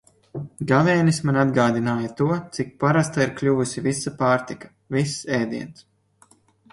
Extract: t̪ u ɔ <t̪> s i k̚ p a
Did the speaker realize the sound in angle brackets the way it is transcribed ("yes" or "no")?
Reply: yes